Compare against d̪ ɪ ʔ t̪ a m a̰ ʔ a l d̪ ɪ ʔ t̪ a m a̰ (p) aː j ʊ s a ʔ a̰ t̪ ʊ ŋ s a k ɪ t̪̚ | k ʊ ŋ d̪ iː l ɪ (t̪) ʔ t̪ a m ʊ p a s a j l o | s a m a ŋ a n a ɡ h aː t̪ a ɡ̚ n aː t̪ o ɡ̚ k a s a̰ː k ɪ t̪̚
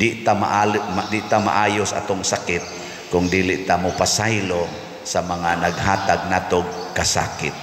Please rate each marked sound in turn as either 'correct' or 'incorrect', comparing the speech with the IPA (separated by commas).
incorrect, incorrect